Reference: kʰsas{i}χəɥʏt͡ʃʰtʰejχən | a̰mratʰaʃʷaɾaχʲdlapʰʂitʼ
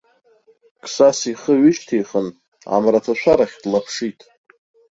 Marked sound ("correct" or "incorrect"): correct